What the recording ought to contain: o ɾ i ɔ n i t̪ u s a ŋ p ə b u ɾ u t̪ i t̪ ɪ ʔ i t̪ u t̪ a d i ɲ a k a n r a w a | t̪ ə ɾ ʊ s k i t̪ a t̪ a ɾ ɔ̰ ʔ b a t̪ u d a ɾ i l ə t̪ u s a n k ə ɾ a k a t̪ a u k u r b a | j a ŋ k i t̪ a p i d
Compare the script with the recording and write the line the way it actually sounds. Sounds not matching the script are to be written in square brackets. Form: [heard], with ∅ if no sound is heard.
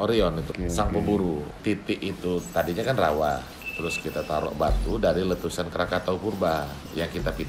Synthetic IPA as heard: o ɾ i ɔ n i t̪ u s a ŋ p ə b u ɾ u t̪ i t̪ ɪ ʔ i t̪ u t̪ a d i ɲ a k a n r a w a | t̪ ə ɾ ʊ s k i t̪ a t̪ a ɾ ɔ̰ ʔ b a t̪ u d a ɾ i l ə t̪ u s a n k ə ɾ a k a t̪ a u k u r b a | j a ŋ k i t̪ a p i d